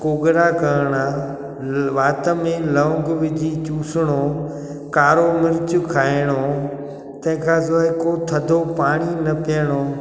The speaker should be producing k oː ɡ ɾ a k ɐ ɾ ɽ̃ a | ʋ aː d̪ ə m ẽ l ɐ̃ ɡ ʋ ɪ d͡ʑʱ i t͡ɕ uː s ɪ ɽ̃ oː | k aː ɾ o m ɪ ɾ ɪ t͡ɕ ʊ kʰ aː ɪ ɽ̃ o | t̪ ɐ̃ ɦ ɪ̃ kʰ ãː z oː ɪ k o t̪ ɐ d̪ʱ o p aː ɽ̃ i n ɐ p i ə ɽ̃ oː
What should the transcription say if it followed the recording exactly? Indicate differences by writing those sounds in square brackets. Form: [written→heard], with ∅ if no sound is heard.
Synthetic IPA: k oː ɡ ɾ a k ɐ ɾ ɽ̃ a | ʋ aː [d̪→t̪] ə m ẽ l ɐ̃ ɡ ʋ ɪ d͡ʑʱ i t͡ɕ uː s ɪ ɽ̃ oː | k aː ɾ o m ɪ ɾ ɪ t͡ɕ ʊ kʰ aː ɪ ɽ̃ o | t̪ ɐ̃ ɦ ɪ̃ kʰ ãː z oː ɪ k o [t̪→t̪ʰ] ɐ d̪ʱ o p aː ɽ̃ i n ɐ p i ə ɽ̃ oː